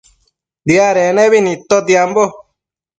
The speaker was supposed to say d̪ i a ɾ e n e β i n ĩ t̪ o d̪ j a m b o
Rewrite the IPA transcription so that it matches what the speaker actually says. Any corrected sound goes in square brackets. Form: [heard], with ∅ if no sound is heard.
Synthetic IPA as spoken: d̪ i a ɾ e n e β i n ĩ t̪ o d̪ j a m b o